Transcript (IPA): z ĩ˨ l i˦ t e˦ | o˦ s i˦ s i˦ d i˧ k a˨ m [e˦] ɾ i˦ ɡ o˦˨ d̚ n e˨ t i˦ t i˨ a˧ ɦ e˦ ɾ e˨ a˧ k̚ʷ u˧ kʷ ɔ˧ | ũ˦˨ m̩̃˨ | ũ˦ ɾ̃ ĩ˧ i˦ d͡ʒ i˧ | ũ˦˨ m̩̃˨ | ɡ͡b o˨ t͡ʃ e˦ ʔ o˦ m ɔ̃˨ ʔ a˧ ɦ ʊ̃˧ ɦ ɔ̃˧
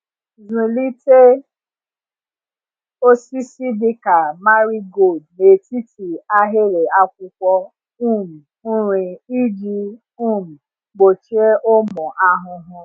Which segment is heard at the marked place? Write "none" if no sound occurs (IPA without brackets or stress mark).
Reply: a˦